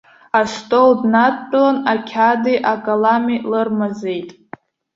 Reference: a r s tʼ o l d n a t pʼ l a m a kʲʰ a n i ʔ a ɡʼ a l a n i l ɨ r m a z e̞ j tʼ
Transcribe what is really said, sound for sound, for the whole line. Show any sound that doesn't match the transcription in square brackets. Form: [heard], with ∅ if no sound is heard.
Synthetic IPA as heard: a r s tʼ o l d n a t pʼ l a [n] a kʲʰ a [d] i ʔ a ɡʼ a l a [m] i l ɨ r m a z e̞ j tʼ

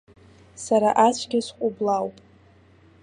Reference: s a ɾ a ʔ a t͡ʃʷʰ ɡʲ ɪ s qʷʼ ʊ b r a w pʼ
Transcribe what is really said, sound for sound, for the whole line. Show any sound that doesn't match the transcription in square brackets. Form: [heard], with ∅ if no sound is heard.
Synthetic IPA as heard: s a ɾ a ʔ a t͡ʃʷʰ ɡʲ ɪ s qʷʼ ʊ b [l] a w pʼ

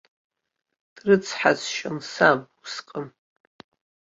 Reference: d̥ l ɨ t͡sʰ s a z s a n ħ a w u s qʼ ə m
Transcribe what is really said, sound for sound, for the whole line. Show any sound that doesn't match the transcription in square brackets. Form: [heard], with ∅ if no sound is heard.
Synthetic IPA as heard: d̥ [r] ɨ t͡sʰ [ħ] a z [ʃ] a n [s] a [b] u s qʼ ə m

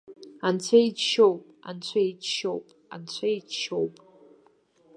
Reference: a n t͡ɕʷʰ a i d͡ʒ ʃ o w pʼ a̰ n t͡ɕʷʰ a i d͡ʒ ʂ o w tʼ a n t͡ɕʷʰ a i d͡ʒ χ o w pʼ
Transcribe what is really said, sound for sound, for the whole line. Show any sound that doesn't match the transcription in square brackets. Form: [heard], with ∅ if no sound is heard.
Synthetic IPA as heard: a n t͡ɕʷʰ a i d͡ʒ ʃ o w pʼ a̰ n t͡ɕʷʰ a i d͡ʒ [ʃ] o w [pʼ] a n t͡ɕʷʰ a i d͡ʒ [ʃ] o w pʼ

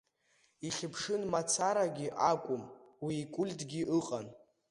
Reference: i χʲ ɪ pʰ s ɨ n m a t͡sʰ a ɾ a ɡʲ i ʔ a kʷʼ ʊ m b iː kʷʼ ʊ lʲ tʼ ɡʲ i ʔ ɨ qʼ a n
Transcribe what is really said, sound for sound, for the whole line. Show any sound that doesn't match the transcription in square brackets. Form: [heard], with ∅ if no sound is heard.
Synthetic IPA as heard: i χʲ ɪ pʰ [ʂ] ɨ n m a t͡sʰ a ɾ a ɡʲ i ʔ a kʷʼ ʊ m [w] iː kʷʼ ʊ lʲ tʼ ɡʲ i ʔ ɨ qʼ a n

